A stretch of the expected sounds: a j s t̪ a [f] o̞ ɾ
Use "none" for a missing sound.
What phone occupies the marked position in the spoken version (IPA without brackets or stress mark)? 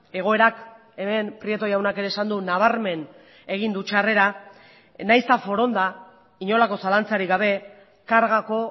f